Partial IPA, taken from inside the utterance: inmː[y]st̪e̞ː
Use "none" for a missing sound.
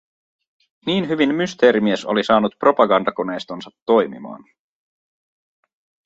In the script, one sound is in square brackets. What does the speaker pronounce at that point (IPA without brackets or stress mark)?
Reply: y